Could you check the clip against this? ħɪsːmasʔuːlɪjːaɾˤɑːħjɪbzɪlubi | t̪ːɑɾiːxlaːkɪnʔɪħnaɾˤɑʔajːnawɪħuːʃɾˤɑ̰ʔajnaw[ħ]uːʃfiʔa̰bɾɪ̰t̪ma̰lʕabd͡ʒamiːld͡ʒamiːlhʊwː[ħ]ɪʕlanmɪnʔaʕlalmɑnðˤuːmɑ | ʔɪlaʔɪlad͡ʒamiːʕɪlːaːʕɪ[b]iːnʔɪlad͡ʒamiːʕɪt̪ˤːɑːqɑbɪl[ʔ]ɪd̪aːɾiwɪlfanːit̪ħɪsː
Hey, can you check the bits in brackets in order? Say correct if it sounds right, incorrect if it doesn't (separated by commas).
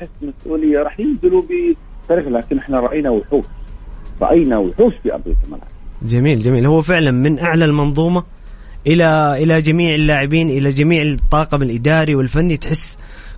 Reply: correct, incorrect, correct, correct